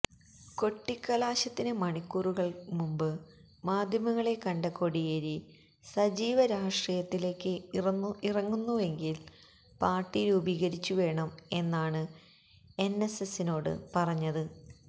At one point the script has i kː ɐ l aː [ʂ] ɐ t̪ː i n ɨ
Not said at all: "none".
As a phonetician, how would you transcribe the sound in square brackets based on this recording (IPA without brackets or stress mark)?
ɕ